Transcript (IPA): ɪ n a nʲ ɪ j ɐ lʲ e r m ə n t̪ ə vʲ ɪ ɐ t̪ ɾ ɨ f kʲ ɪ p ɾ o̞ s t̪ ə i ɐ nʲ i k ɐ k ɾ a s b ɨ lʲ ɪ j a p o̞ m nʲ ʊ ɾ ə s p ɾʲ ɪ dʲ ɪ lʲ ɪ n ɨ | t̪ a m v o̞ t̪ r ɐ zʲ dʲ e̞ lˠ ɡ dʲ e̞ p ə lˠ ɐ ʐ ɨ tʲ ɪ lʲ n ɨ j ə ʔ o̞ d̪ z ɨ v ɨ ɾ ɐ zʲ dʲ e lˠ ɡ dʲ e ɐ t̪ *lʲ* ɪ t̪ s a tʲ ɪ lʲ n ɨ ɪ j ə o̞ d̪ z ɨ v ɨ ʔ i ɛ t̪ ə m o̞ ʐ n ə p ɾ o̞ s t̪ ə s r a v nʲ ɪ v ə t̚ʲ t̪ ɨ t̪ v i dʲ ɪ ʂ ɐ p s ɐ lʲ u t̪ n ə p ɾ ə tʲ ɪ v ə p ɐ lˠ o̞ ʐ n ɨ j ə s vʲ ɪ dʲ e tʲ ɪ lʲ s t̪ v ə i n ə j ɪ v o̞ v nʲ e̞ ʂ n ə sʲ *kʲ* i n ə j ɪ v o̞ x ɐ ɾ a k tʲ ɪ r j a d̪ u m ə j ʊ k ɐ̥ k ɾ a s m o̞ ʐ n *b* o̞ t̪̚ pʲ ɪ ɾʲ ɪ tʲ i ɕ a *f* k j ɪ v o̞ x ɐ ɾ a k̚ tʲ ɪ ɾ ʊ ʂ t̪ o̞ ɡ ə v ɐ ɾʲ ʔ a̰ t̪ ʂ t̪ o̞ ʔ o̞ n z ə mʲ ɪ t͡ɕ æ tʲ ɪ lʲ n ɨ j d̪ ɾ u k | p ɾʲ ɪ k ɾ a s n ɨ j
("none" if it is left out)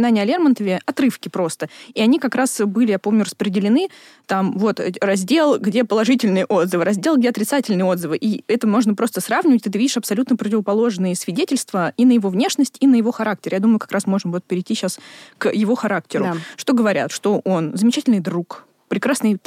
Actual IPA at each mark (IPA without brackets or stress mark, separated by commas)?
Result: ɾʲ, tʲ, v, s